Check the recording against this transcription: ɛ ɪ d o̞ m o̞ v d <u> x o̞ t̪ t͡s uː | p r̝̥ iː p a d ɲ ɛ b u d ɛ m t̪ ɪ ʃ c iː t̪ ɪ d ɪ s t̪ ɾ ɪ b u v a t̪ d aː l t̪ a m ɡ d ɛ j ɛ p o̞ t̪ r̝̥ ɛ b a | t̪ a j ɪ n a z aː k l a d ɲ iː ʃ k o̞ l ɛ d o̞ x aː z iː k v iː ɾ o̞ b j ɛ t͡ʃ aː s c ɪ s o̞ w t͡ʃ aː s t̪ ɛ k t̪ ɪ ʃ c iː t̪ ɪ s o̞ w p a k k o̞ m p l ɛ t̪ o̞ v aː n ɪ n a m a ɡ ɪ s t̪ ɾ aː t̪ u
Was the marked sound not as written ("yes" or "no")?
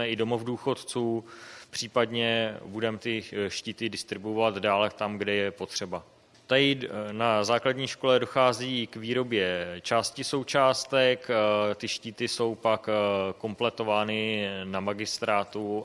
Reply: yes